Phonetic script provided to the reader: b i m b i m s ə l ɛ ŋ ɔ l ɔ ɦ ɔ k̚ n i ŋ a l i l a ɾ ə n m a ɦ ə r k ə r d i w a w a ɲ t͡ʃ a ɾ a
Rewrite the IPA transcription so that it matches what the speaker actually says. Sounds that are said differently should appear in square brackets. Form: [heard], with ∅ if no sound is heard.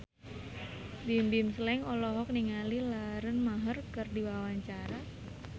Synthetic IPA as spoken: b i m b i m s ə l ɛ ŋ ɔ l ɔ ɦ ɔ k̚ n i ŋ a l i l a ɾ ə n m a ɦ ə r k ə r d i w a w a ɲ t͡ʃ a ɾ a